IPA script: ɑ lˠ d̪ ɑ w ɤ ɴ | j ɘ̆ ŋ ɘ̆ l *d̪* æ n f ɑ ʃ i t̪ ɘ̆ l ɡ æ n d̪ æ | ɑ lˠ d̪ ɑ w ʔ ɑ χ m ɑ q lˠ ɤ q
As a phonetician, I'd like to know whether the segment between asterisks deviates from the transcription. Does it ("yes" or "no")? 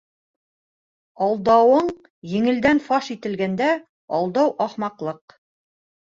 no